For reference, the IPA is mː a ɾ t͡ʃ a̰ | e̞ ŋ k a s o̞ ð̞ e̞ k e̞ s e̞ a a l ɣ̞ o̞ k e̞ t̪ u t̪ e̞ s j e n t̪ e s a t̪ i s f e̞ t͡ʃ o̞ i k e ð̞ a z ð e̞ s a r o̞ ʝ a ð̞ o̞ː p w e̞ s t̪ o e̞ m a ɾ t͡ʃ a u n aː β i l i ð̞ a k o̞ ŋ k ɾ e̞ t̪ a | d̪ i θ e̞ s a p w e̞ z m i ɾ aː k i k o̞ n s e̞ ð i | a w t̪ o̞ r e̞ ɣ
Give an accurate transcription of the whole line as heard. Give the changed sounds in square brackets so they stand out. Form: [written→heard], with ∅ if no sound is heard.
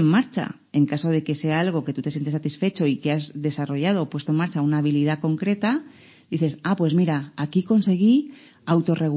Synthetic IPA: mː a ɾ t͡ʃ a̰ | e̞ ŋ k a s o̞ ð̞ e̞ k e̞ s e̞ a a l ɣ̞ o̞ k e̞ t̪ u t̪ e̞ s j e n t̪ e s a t̪ i s f e̞ t͡ʃ o̞ i k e [ð̞→∅] a z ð e̞ s a r o̞ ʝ a ð̞ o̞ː p w e̞ s t̪ o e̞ m a ɾ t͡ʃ a u n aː β i l i ð̞ a k o̞ ŋ k ɾ e̞ t̪ a | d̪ i θ e̞ s a p w e̞ z m i ɾ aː k i k o̞ n s e̞ [ð→ɣ] i | a w t̪ o̞ r e̞ ɣ